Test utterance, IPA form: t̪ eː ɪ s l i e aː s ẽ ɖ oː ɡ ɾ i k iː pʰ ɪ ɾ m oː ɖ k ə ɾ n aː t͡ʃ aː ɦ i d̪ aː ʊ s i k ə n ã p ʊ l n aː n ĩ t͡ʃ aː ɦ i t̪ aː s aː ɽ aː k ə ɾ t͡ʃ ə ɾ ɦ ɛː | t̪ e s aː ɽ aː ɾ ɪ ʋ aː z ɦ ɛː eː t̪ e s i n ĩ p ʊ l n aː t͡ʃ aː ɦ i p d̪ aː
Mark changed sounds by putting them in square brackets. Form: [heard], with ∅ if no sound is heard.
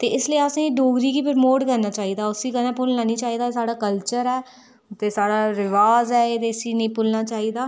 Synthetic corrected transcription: t̪ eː ɪ s l i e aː s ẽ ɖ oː ɡ ɾ i k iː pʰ ɪ ɾ m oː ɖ k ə ɾ n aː t͡ʃ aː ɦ i d̪ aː ʊ s i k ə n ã p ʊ l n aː n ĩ t͡ʃ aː ɦ i [d̪] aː s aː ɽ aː k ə [l] t͡ʃ ə ɾ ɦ ɛː | t̪ e s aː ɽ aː ɾ ɪ ʋ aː z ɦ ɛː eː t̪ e s i n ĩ p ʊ l n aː t͡ʃ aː ɦ i [∅] d̪ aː